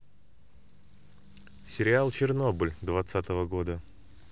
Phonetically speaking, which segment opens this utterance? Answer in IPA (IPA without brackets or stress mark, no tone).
sʲ